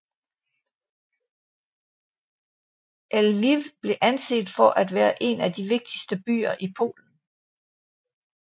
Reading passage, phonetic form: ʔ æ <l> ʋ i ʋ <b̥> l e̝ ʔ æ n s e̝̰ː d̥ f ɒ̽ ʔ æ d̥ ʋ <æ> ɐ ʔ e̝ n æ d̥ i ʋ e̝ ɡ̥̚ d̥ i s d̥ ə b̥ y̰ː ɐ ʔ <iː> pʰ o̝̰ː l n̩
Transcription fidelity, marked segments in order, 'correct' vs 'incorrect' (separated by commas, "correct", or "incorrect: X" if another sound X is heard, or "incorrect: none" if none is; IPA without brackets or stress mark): correct, correct, incorrect: æː, incorrect: i